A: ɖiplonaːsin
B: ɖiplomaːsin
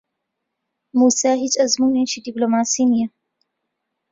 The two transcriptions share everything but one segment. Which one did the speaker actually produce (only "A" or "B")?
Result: B